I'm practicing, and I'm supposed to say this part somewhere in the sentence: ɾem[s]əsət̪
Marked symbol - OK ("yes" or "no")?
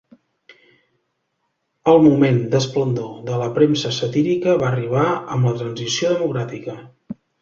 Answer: yes